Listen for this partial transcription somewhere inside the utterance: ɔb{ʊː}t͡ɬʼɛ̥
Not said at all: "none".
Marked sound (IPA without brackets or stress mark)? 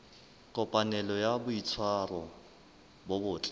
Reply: ʊː